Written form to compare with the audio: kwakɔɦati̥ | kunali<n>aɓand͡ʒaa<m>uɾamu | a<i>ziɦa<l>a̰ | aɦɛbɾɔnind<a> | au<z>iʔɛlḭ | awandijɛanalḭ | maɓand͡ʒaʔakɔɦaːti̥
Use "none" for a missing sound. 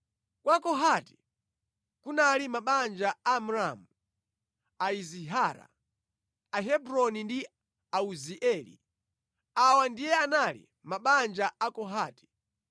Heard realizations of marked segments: m, m, i, ɾ, i, z

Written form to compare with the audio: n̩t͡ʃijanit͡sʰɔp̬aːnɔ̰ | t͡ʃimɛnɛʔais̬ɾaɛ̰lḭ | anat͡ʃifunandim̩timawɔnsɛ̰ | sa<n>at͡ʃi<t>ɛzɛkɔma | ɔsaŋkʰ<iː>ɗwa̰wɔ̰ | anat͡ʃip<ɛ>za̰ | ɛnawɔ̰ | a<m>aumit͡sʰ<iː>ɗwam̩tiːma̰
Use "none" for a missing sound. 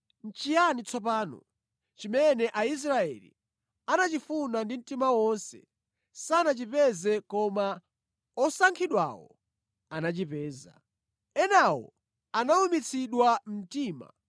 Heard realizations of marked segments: n, p, i, ɛː, n, i

